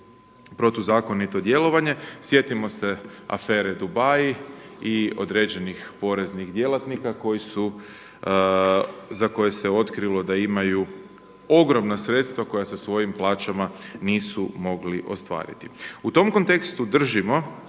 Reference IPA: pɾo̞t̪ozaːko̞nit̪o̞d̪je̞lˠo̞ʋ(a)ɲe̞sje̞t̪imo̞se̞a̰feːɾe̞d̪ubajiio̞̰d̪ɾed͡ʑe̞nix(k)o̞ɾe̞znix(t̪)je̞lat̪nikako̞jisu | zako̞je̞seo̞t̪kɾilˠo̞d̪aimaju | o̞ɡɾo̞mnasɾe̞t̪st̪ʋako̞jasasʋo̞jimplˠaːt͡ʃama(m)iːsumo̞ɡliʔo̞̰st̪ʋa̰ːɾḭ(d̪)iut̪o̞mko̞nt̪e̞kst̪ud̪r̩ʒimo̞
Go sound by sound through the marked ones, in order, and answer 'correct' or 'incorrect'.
correct, incorrect, incorrect, incorrect, incorrect

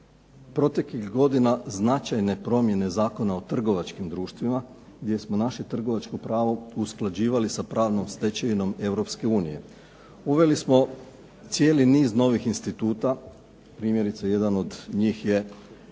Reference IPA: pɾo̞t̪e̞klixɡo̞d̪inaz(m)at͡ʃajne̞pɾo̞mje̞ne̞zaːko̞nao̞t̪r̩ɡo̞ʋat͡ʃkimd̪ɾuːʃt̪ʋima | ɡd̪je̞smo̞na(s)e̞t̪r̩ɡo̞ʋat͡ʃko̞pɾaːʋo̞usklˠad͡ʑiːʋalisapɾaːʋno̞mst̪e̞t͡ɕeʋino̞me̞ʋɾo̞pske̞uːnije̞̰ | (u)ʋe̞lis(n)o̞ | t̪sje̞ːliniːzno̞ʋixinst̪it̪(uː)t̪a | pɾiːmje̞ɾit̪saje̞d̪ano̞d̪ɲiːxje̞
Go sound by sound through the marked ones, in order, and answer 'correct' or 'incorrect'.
incorrect, incorrect, correct, incorrect, correct

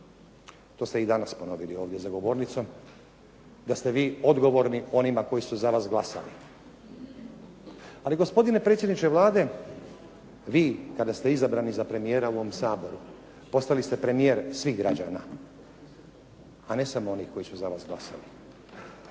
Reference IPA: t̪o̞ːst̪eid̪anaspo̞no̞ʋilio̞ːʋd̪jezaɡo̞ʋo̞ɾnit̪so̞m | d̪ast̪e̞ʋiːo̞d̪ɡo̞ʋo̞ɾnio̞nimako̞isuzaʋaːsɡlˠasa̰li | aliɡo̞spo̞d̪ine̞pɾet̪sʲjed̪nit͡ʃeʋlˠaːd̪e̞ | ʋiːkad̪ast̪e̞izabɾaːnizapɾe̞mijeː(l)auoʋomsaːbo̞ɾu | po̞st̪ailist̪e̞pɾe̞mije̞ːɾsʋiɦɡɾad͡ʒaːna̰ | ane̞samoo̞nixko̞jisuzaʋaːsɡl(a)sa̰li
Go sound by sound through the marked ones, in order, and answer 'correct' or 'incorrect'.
incorrect, correct

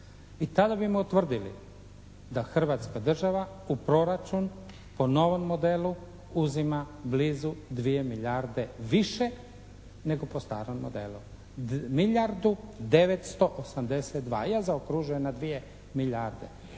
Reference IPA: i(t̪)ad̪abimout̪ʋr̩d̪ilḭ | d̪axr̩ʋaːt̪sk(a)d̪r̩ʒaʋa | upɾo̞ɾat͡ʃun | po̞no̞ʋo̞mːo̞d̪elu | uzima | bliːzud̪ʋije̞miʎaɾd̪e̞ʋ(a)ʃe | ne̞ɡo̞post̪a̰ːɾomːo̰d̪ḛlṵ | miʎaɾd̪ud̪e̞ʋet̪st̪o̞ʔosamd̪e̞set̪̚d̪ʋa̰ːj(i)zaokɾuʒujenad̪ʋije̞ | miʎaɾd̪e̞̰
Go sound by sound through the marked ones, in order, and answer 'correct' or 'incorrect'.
correct, correct, incorrect, incorrect

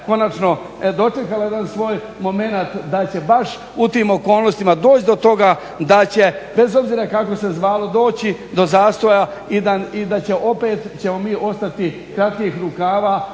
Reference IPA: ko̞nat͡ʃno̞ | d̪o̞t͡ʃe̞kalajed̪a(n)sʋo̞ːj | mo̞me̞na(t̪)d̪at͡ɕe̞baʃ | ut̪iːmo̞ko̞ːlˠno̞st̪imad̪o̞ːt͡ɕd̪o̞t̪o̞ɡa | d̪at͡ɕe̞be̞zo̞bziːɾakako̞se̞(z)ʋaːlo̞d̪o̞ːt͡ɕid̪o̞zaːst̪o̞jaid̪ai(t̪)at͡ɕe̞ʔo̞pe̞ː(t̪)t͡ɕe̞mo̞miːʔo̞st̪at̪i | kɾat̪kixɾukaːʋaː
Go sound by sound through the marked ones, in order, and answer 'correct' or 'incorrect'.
correct, correct, correct, incorrect, correct

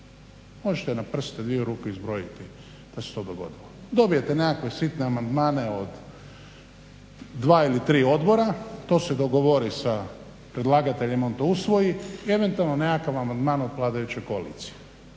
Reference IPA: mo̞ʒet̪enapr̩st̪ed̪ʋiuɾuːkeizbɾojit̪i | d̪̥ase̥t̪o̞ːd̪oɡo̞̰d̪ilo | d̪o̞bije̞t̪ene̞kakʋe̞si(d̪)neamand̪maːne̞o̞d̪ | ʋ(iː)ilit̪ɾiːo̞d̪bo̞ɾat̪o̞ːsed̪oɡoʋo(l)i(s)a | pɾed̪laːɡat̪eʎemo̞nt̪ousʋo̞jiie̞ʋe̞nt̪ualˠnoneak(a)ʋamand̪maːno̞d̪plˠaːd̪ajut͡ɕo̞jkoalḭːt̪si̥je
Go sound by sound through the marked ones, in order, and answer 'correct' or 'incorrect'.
incorrect, incorrect, incorrect, correct, correct

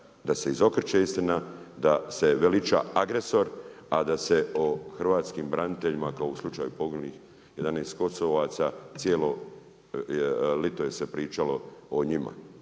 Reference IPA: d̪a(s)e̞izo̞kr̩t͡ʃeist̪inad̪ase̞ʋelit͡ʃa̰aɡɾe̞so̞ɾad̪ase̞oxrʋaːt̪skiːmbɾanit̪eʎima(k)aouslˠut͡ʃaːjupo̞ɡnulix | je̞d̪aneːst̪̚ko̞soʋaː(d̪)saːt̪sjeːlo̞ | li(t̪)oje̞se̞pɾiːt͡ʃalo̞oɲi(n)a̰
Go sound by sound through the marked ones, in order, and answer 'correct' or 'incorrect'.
correct, correct, incorrect, correct, incorrect

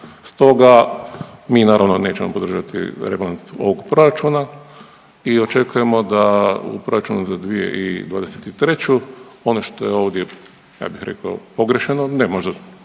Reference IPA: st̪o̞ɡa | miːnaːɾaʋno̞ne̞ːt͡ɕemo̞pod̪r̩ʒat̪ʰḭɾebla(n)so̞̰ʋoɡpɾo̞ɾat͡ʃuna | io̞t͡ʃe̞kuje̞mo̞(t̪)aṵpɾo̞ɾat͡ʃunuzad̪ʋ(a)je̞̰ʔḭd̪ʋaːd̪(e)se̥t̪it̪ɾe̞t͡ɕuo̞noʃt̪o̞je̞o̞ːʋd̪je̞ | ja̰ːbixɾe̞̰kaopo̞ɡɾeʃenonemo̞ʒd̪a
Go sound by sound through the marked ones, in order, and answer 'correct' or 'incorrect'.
correct, incorrect, incorrect, correct

